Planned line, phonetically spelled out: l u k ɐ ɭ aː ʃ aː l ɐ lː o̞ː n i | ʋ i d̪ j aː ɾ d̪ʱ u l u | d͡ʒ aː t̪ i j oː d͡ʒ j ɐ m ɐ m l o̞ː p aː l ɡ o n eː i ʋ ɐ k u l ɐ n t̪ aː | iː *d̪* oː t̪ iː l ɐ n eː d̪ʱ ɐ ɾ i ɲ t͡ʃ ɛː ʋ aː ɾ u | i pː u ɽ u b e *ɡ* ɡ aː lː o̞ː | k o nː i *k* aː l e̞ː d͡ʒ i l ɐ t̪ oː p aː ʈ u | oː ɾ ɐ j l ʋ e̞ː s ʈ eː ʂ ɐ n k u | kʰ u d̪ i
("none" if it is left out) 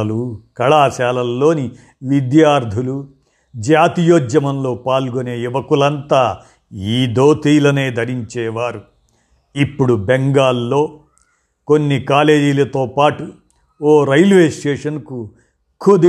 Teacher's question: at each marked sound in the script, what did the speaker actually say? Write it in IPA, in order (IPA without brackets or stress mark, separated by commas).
d̪, ŋ, k